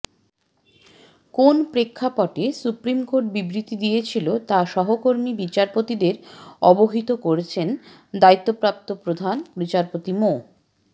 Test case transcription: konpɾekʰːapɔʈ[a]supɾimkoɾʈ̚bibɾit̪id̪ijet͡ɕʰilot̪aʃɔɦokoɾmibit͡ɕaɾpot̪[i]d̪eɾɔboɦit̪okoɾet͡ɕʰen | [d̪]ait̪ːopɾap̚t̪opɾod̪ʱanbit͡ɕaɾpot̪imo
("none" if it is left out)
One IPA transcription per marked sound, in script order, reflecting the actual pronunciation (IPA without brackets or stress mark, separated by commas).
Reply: e, i, d̪